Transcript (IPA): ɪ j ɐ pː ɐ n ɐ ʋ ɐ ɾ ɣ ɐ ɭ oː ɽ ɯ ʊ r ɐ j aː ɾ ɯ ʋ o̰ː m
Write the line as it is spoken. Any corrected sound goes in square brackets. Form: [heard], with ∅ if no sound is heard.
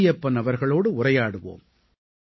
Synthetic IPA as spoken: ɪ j ɐ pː ɐ n ɐ ʋ ɐ ɾ ɣ ɐ ɭ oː ɽ ɯ ʊ r ɐ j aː [ɽ] ɯ ʋ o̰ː m